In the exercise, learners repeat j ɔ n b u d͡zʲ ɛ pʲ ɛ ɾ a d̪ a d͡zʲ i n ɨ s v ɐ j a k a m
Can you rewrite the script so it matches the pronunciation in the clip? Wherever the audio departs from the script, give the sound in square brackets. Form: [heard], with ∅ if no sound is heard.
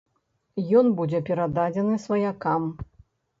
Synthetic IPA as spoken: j ɔ n b u d͡zʲ ɛ pʲ ɛ ɾ a d̪ a d͡zʲ [ɛ] n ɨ s v ɐ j a k a m